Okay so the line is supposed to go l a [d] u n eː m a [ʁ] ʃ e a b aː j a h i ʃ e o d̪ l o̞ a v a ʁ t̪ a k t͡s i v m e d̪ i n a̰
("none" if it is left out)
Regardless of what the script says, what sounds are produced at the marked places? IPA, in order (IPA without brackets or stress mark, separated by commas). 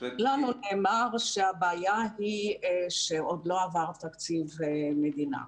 n, ʁ